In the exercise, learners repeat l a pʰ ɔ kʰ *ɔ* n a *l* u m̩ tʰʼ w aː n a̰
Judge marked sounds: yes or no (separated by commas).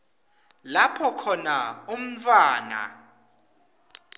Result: yes, no